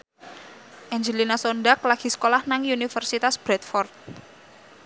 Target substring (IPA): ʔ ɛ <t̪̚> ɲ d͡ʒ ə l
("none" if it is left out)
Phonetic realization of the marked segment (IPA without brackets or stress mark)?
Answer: none